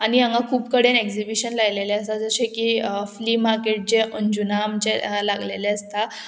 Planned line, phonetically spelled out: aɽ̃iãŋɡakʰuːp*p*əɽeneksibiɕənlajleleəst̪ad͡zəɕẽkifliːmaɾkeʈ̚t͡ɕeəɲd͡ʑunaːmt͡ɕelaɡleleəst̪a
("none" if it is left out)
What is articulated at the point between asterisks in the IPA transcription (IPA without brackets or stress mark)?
k